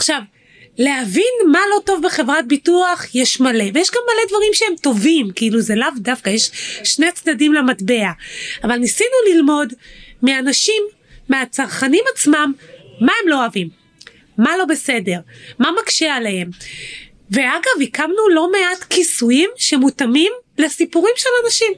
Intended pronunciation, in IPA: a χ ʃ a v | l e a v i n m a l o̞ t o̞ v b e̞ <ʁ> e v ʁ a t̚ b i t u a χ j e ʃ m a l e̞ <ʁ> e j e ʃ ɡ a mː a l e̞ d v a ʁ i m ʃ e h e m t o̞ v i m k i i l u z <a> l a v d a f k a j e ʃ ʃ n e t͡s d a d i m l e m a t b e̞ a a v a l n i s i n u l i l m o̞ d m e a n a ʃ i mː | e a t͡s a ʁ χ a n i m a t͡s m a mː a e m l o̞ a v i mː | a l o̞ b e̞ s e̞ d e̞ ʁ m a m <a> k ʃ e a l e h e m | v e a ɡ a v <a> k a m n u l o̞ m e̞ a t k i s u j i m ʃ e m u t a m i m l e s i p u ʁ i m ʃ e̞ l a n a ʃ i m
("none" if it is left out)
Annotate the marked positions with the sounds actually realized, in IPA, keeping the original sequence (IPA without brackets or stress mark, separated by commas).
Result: χ, v, e, a, i